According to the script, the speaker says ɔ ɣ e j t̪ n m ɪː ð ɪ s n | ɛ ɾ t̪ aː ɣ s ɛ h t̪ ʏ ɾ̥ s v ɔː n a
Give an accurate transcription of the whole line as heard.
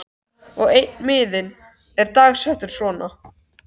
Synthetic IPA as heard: ɔ ɣ e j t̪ n m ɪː ð ɪ n | ɛ ɾ t̪ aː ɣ s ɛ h t̪ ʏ ɾ̥ s v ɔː n a

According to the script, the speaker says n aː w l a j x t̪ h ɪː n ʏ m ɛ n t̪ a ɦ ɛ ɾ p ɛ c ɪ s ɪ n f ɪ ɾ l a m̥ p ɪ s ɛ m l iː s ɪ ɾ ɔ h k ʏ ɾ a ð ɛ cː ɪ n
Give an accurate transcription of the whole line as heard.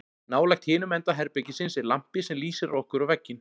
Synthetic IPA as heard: n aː w l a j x t̪ h ɪː n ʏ m ɛ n t̪ a ɦ ɛ ɾ p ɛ c ɪ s ɪ n s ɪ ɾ l a m̥ p ɪ s ɛ m l iː s ɪ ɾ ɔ h k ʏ ɾ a v ɛ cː ɪ n

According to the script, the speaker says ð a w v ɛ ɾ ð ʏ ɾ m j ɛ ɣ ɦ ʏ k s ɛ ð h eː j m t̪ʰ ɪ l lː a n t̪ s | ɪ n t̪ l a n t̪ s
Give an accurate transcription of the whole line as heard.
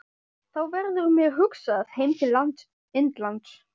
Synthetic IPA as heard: θ a w v ɛ ɾ ð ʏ ɾ m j ɛ ɣ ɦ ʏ k s a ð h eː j m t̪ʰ ɪ l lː a n t̪ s | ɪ n t̪ l a n t̪ s

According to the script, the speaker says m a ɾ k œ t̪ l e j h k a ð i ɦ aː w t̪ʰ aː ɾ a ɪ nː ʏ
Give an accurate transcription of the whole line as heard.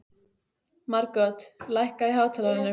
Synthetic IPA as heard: m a ɾ k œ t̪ l a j h k a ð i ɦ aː w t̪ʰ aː l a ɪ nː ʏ

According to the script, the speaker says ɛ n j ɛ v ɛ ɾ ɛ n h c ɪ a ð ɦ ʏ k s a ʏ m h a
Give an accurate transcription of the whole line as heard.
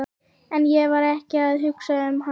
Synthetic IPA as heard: ɛ n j ɛ v a ɾ ɛ h c ɪ a ð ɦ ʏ k s a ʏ m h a

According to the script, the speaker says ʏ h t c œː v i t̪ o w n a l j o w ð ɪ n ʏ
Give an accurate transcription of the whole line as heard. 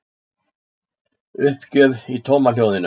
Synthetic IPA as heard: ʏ h p c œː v i t̪ʰ o w m a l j o w ð ɪ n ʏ

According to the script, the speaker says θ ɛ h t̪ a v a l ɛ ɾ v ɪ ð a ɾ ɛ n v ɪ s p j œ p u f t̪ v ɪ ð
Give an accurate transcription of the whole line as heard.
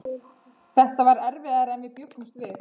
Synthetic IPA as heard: θ ɛ h t̪ a v a ɾ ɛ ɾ v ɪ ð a ɾ ɛ n v ɪ p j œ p u s t̪ v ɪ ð

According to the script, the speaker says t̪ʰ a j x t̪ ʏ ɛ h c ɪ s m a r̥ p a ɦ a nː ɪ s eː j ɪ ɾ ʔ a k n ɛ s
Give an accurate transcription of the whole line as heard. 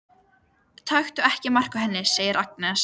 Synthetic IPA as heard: t̪ʰ a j x t̪ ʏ ɛ h c ɪ m a r̥ k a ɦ ɛ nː ɪ s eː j ɪ ɾ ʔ a k n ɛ s

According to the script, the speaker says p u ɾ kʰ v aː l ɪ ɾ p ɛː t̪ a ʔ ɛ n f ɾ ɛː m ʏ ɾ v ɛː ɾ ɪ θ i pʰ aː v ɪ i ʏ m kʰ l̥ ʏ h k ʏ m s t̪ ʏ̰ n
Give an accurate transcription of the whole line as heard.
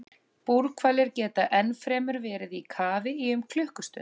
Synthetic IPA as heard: p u ɾ kʰ v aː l ɪ ɾ c ɛː t̪ a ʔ ɛ n f ɾ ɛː m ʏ ɾ v ɛː ɾ ɪ ð i kʰ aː v ɪ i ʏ m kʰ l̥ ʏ h k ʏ s t̪ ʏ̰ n

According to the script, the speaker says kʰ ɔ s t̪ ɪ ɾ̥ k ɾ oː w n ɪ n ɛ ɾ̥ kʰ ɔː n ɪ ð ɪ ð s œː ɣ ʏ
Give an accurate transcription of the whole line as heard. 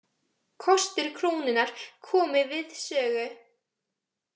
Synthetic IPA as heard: kʰ ɔ s t̪ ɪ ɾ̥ kʰ ɾ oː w n ɪ n a ɾ̥ kʰ ɔː m ɪ v ɪ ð s œː ɣ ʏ

